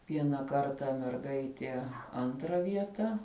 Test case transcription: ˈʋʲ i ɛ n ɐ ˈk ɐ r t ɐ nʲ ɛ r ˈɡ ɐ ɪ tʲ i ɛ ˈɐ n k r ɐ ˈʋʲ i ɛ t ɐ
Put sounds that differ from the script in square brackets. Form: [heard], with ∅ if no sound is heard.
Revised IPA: ˈʋʲ i ɛ n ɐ ˈk ɐ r t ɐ [mʲ] ɛ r ˈɡ ɐ ɪ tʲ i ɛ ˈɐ n [t] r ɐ ˈʋʲ i ɛ t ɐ

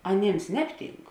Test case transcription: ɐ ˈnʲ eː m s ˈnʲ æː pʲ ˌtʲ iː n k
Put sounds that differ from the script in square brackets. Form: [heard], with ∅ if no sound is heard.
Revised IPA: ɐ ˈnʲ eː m s ˈnʲ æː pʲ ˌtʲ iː [ŋ] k

